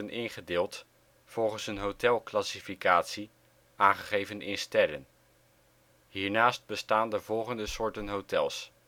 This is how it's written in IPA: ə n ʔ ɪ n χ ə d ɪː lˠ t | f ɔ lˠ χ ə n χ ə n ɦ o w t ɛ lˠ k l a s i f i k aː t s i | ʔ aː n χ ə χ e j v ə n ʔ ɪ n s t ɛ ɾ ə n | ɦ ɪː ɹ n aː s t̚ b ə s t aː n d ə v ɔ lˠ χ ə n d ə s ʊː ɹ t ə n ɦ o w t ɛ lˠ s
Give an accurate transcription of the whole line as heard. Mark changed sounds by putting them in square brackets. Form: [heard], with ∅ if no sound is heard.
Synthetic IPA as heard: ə n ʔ ɪ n χ ə d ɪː lˠ t | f ɔ lˠ χ ə n [s] ə n ɦ o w t ɛ lˠ k l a s i f i k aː t s i | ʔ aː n χ ə χ e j v ə n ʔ ɪ n s t ɛ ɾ ə n | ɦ [iː] ɹ n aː s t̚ b ə s t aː n d ə v ɔ lˠ χ ə n d ə s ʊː ɹ t ə n ɦ o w t ɛ lˠ s

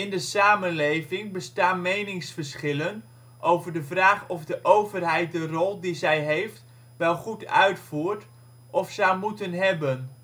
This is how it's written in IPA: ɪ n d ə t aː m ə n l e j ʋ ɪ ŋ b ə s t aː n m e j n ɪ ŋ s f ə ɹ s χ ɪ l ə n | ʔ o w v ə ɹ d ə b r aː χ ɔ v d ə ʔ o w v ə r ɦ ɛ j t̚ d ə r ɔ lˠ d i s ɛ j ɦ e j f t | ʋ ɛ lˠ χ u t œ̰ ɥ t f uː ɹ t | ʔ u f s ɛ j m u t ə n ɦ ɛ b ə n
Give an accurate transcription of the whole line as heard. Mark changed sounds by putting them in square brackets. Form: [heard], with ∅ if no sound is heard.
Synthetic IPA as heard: ɪ n d ə [s] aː m ə n l e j [v] ɪ ŋ b ə s t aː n m e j n ɪ ŋ s f ə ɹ s χ ɪ l ə n | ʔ o w v ə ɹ d ə [v] r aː χ ɔ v d ə ʔ o w v ə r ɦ ɛ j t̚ d ə r ɔ lˠ d i [z] ɛ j ɦ e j f t | ʋ ɛ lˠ χ u t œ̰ ɥ t f uː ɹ t | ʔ [ɔ] f s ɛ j m u t ə n ɦ ɛ b ə n

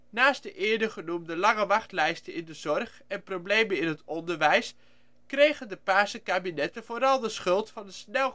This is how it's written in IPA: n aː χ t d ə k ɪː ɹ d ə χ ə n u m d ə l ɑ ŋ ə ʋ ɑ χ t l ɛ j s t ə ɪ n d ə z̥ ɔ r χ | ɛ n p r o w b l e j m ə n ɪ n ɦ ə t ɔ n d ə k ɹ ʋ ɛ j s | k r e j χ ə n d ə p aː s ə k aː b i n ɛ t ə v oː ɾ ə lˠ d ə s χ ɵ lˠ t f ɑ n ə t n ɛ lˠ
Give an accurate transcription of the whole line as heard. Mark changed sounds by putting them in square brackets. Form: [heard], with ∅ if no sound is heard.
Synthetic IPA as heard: n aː [s] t d ə [ʔ] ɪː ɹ d ə χ ə n u m d ə l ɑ ŋ ə ʋ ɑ χ t l ɛ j s t ə ɪ n d ə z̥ ɔ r χ | ɛ n p r o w b l e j m ə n ɪ n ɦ ə t ɔ n d ə [∅] ɹ ʋ ɛ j s | k r e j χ ə n d ə p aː s ə k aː b i n ɛ t ə v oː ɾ [ɑ] lˠ d ə s χ ɵ lˠ t f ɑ n ə [s] n ɛ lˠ

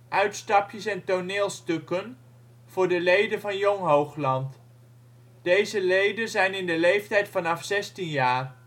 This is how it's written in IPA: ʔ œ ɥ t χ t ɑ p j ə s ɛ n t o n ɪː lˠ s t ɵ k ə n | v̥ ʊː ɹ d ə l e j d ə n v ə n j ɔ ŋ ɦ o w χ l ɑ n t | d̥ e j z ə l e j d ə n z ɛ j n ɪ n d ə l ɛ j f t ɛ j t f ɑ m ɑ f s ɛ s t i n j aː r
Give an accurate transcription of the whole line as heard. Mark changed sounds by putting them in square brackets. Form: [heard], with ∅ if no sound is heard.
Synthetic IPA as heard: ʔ œ ɥ t [s] t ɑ p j ə s ɛ n t o n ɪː lˠ s t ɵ k ə n | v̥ ʊː ɹ d ə l e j d ə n v [ɑ] n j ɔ ŋ ɦ o w χ l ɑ n t | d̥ e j z ə l e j d ə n z ɛ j n ɪ n d ə l [e] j f t ɛ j t f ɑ [n] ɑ f s ɛ s t i n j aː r

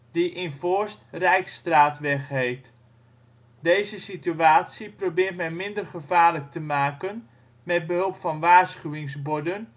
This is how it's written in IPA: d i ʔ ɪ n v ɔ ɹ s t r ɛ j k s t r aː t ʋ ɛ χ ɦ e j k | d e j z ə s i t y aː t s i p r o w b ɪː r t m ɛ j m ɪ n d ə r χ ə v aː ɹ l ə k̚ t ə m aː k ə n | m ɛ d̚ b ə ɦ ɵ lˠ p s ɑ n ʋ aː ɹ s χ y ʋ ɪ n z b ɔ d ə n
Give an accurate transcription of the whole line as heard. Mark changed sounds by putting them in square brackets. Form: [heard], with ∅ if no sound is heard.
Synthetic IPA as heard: d i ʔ ɪ n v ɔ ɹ s t r ɛ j k s t r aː t ʋ ɛ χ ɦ e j [t] | d e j z ə s i t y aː t s i p r o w b ɪː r t m ɛ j m ɪ n d ə r χ ə v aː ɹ l ə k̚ t ə m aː k ə n | m ɛ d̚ b ə ɦ ɵ lˠ p [f] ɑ n ʋ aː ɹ s χ y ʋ ɪ [ŋ] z b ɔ d ə n

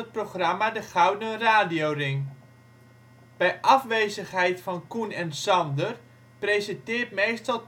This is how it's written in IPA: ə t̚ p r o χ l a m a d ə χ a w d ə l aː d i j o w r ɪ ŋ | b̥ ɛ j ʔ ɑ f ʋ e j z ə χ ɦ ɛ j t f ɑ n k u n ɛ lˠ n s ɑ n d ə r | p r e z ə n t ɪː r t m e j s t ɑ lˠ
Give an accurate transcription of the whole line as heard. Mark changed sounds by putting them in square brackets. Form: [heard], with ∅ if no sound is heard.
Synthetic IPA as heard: ə t̚ p r o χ [r] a m a d ə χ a w d ə [r] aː d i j o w r ɪ ŋ | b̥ ɛ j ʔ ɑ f ʋ e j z ə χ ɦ ɛ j t f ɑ n k u n ɛ [∅] n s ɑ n d ə r | p r e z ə n t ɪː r t m e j s t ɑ lˠ

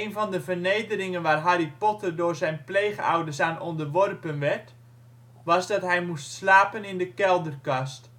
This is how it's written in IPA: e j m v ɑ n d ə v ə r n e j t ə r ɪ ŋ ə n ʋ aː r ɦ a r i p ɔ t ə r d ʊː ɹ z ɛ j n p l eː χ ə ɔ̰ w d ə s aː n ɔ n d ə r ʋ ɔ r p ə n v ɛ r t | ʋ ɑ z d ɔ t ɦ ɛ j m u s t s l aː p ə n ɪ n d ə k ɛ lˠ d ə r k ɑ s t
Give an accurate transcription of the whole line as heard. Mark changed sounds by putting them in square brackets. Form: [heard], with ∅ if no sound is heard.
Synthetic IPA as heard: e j [n] v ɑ n d ə v ə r n e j [d] ə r ɪ ŋ ə n ʋ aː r ɦ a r i p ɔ t ə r d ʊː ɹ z ɛ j n p l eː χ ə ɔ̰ w d ə s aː n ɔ n d ə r ʋ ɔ r p ə n [ʋ] ɛ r t | ʋ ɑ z d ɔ t ɦ ɛ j m u s t s l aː p ə n ɪ n d ə k ɛ lˠ d ə r k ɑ s t

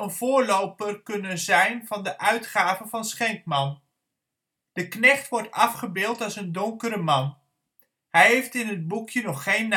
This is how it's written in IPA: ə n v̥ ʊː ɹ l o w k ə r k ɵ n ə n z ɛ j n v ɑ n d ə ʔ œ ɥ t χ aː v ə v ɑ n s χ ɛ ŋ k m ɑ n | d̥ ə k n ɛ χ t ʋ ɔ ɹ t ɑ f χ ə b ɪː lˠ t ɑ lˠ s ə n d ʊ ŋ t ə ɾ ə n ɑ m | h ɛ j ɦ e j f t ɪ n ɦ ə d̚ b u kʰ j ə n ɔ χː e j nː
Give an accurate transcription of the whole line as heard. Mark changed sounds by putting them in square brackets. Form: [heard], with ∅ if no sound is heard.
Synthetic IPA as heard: ə n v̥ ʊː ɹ l o w [p] ə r k ɵ n ə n z ɛ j n v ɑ n d ə ʔ œ ɥ t χ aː v ə v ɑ n s χ ɛ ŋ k m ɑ n | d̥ ə k n ɛ χ t ʋ ɔ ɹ t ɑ f χ ə b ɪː lˠ t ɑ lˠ s ə n d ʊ ŋ [k] ə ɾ ə [m] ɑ [n] | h ɛ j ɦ e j f t ɪ n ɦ ə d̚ b u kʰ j ə n ɔ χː e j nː

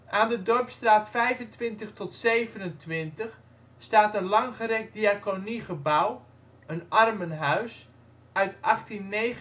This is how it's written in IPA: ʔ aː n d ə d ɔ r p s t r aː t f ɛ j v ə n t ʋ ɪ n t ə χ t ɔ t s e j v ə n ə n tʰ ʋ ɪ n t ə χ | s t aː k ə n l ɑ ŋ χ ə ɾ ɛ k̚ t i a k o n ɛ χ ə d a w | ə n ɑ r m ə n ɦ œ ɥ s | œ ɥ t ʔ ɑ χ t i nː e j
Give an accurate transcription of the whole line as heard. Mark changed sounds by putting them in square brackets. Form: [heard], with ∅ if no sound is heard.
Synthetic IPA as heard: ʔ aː n d ə d ɔ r p s t r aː t f ɛ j v ə n t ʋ ɪ n t ə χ t ɔ t s e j v ə n ə n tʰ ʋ ɪ n t ə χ | s t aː [t] ə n l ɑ ŋ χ ə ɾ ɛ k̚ [d] i a k o n [i] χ ə [b] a w | ə n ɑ r m ə n ɦ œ ɥ s | œ ɥ t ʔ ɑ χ t i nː e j

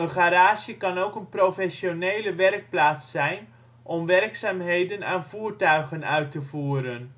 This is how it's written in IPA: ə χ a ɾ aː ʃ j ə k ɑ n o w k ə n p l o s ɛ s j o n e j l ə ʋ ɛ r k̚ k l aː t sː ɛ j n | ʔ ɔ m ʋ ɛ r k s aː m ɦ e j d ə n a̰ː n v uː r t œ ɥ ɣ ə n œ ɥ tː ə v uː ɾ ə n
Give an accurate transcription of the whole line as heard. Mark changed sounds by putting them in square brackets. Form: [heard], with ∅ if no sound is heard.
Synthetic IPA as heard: ə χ a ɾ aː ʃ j ə k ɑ n o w k ə n p [r] o [f] ɛ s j o n e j l ə ʋ ɛ r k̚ [p] l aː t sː ɛ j n | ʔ ɔ m ʋ ɛ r k s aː m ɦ e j d ə n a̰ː n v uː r t œ ɥ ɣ ə n œ ɥ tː ə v uː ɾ ə n

